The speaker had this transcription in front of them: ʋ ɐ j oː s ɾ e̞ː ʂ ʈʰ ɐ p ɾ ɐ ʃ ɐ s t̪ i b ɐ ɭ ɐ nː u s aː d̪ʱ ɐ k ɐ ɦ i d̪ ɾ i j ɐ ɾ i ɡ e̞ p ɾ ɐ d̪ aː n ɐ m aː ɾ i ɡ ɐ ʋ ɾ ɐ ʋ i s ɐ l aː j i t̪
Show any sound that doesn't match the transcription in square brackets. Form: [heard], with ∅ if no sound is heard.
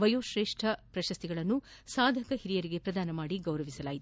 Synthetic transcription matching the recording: ʋ ɐ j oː [ʃ] ɾ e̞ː ʂ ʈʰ ɐ p ɾ ɐ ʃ ɐ s t̪ i [ɡ] ɐ ɭ ɐ nː u s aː d̪ʱ ɐ k ɐ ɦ i [∅] ɾ i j ɐ ɾ i ɡ e̞ p ɾ ɐ d̪ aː n ɐ m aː [ɽ] i ɡ ɐ [w] ɾ ɐ ʋ i s ɐ l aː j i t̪